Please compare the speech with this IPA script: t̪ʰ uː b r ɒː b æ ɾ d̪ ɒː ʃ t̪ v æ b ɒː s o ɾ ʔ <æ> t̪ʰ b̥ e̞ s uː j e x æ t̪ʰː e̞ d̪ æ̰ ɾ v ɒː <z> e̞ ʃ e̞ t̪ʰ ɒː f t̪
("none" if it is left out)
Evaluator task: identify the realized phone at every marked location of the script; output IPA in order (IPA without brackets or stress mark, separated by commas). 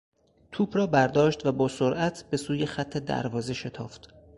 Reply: æ, z